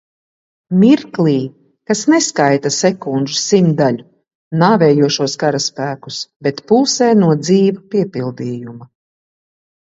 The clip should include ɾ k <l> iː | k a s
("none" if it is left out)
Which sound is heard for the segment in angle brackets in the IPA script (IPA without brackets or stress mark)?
l